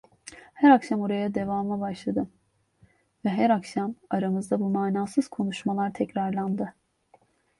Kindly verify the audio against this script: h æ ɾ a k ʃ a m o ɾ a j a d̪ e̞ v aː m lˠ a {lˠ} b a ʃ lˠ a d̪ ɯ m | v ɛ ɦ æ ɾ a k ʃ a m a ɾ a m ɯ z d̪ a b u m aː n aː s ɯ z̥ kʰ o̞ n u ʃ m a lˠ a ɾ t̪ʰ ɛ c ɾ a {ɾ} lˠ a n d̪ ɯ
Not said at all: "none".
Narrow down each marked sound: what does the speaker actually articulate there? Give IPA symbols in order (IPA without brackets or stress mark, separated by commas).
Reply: none, ɾ